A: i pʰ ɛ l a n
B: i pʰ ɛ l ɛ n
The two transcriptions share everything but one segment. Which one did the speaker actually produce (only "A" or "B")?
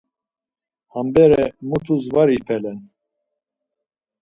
B